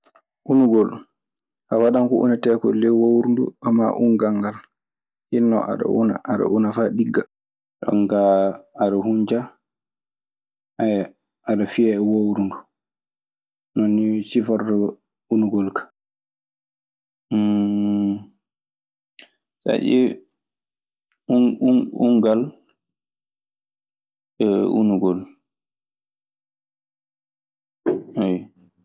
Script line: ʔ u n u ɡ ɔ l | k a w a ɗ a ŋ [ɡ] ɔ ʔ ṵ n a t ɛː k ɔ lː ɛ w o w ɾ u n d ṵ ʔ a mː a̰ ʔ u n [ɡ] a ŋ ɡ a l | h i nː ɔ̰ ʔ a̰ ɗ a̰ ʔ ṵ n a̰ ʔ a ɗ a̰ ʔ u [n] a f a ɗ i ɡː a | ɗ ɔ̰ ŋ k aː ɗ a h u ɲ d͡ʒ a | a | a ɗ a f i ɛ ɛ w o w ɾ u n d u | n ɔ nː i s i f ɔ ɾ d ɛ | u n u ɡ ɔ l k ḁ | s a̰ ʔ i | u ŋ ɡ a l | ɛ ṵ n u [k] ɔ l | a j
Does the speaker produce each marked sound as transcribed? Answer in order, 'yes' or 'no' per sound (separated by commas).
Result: no, yes, yes, no